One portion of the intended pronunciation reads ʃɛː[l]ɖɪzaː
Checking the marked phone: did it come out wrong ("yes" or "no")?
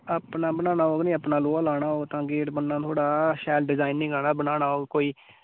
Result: no